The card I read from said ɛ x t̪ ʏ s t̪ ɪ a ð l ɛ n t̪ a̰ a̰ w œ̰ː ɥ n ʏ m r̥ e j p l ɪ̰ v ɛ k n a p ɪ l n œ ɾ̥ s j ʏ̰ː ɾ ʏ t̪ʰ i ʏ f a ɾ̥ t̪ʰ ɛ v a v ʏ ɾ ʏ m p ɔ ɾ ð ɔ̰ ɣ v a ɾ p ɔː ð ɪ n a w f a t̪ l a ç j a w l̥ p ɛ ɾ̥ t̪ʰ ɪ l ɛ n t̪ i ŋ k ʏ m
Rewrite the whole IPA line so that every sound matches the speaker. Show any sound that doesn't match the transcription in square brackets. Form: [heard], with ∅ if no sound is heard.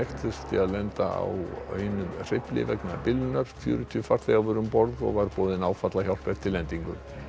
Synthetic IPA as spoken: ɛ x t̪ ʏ s t̪ ɪ a ð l ɛ n t̪ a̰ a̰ w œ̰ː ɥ n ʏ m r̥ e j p l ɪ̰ v ɛ k n a p ɪ l n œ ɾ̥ [f] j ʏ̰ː ɾ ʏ t̪ʰ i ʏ f a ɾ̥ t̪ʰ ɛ [ɣ] a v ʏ ɾ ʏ m p ɔ ɾ ð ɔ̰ ɣ v a ɾ p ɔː ð ɪ n a w f a t̪ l a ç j a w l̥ p ɛ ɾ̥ t̪ʰ ɪ l ɛ n t̪ i ŋ k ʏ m

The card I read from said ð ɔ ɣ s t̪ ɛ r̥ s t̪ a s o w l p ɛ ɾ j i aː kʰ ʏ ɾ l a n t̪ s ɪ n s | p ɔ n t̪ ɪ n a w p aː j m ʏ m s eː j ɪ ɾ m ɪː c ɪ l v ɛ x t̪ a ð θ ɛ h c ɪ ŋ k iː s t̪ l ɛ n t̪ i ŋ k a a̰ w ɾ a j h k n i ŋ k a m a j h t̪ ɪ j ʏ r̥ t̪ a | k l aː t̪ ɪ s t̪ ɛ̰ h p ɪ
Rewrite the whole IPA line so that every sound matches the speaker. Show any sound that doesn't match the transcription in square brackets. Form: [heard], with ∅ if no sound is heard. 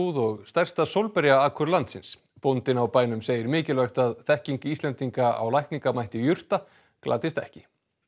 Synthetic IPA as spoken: ð ɔ ɣ s t̪ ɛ r̥ s t̪ a s o w l p ɛ ɾ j [a] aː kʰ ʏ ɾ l a n t̪ s ɪ n s | p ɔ n t̪ ɪ n a w p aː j [n] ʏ m s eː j ɪ ɾ m ɪː c ɪ l v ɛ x t̪ a ð θ ɛ h c [i] ŋ k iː s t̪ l ɛ n t̪ i ŋ k a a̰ w [l] a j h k n i ŋ k a m a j h t̪ ɪ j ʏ r̥ t̪ a | k l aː t̪ ɪ s t̪ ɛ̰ h [c] ɪ

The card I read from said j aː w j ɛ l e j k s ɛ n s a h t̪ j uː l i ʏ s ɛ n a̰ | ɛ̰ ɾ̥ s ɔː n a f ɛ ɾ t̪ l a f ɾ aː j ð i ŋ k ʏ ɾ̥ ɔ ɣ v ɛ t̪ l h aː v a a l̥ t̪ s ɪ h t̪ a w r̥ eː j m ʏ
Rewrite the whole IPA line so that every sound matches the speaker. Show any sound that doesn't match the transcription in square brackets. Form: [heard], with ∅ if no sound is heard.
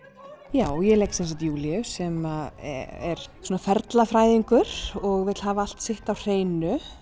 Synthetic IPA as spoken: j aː w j ɛ l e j k s ɛ n s a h t̪ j uː l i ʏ s ɛ [m] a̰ | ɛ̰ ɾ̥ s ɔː n a f ɛ ɾ t̪ l a f ɾ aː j ð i ŋ k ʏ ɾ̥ ɔ ɣ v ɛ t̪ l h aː v a a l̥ t̪ s ɪ h t̪ a w r̥ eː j [n] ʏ

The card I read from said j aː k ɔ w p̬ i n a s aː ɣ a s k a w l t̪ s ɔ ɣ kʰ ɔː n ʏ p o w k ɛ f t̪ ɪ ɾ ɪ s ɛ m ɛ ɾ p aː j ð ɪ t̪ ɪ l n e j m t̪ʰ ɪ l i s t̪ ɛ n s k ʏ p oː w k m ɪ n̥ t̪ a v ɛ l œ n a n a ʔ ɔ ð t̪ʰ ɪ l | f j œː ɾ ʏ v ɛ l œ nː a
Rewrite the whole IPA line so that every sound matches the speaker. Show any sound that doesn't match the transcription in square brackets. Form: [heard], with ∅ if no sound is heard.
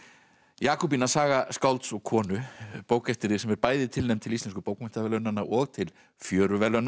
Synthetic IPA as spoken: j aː k ɔ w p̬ i n a s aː ɣ a s k a w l t̪ s ɔ ɣ kʰ ɔː n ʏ p o w k ɛ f t̪ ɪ ɾ ɪ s ɛ m ɛ ɾ p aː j ð ɪ [t̪ʰ] ɪ l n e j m t̪ʰ ɪ l i s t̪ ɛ n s k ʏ p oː w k m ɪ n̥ t̪ a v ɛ l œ n a n a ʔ ɔ [ɣ] t̪ʰ ɪ l | f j œː ɾ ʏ v ɛ l œ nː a

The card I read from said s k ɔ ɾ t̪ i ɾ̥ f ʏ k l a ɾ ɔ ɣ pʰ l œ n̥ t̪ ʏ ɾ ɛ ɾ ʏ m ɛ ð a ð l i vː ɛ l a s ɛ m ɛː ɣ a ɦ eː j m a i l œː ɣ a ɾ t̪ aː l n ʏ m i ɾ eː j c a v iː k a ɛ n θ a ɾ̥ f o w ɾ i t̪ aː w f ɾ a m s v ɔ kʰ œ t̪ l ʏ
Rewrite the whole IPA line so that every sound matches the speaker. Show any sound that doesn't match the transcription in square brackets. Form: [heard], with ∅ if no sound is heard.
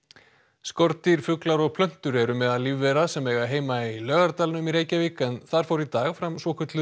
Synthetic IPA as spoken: s k ɔ ɾ t̪ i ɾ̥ f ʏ k l a ɾ ɔ ɣ pʰ l œ n̥ t̪ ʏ ɾ ɛ ɾ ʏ m ɛ ð a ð l i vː ɛ [ɾ] a s ɛ m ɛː ɣ a ɦ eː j m a i l œː ɣ a ɾ t̪ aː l n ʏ m i ɾ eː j c a v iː k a ɛ n θ a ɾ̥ f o w ɾ i t̪ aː [ɣ] f ɾ a m s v ɔ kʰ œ t̪ l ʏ

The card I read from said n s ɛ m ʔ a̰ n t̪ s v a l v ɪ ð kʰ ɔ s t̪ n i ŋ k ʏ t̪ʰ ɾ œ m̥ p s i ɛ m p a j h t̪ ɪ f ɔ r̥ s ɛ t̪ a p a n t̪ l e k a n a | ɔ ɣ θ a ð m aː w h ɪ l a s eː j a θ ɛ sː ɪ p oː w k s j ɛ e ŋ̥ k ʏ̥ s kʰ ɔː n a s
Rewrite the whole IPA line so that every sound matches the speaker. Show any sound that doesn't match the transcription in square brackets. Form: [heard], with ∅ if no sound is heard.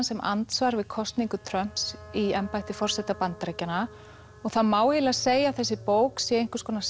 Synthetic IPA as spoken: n s ɛ m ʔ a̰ n t̪ s v a [ɾ] v ɪ ð kʰ ɔ s t̪ n i ŋ k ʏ t̪ʰ ɾ œ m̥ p s i ɛ m p a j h t̪ ɪ f ɔ r̥ s ɛ t̪ a p a n t̪ [ɾ] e [c] a n a | ɔ ɣ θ a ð m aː w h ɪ l a s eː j a θ ɛ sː ɪ p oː w k s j ɛ e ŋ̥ k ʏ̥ s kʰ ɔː n a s

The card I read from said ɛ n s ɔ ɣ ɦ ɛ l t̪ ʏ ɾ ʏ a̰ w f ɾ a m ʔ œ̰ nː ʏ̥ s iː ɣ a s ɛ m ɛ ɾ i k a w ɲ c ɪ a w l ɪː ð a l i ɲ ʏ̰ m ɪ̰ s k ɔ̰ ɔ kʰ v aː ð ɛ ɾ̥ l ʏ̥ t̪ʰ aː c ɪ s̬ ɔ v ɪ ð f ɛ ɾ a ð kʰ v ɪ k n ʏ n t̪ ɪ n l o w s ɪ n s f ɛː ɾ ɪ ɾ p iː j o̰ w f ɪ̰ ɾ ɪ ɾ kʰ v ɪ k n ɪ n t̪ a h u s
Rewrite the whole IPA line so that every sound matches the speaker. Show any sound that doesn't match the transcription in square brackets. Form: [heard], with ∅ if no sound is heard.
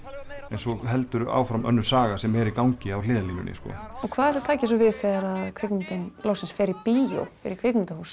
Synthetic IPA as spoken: ɛ n s ɔ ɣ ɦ ɛ l t̪ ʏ ɾ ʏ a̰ w f ɾ a m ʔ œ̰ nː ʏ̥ s [aː] ɣ a s ɛ m ɛ ɾ i k a w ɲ c ɪ a w l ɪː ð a l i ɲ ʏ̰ [n] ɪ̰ s k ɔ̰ ɔ kʰ v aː ð ɛ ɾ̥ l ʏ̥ t̪ʰ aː c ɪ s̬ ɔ v ɪ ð f ɛ ɾ a ð kʰ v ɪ k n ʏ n t̪ ɪ n l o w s ɪ n s f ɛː ɾ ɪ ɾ p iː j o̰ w f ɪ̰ ɾ ɪ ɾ kʰ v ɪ k n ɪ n t̪ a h u s

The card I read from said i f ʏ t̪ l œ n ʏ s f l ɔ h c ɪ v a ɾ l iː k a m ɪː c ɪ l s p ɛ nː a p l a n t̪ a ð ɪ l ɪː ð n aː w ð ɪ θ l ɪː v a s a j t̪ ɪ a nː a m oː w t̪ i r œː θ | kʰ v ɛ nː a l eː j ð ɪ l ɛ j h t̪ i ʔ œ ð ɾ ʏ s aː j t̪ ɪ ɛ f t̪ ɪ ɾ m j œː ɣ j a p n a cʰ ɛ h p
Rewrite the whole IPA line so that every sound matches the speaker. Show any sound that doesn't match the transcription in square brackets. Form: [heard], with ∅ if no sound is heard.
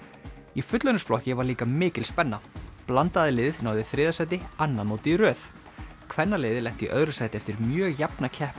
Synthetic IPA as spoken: i f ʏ t̪ l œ n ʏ s f l ɔ h c ɪ v a ɾ l iː k a m ɪː c ɪ l s p ɛ nː a p l a n t̪ a ð ɪ l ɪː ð n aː w ð ɪ θ [ɾ] ɪː [ð] a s a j t̪ ɪ a nː a m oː w t̪ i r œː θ | kʰ v ɛ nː a l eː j ð ɪ l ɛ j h t̪ i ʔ œ ð ɾ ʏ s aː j t̪ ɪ ɛ f t̪ ɪ ɾ m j œː ɣ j a p n a cʰ ɛ h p

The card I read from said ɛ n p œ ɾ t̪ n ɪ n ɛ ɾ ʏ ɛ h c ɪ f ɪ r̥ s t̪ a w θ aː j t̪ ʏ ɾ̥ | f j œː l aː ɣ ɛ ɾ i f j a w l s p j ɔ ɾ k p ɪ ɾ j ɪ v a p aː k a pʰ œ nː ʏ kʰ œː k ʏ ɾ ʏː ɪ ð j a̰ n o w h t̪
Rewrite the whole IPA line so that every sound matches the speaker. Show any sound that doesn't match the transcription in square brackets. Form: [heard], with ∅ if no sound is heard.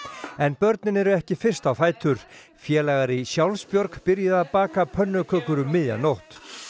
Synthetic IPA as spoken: ɛ n p œ ɾ t̪ n ɪ n ɛ ɾ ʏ ɛ h c ɪ f ɪ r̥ s t̪ a w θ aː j t̪ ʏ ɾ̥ | f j [ɛː] l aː ɣ [a] ɾ i [s] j a w l s p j ɔ ɾ k p ɪ ɾ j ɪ [ð] a p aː k a pʰ œ nː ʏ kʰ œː k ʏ ɾ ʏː ɪ ð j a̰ n o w h t̪

